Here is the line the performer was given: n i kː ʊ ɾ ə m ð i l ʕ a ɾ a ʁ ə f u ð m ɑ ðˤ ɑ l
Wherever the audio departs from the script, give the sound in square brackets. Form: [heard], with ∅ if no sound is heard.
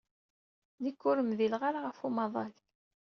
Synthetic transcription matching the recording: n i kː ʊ ɾ ə m ð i l [ʁ] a ɾ a ʁ ə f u [∅] m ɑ ðˤ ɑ l